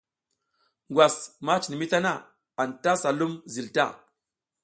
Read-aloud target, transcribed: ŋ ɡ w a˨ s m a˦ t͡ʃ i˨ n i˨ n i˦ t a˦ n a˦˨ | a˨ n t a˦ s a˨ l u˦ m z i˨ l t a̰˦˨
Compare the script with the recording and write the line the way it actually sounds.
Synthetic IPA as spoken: ŋ ɡ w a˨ s m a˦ t͡ʃ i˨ n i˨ m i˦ t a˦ n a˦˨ | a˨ n t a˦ s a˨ l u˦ m z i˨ l t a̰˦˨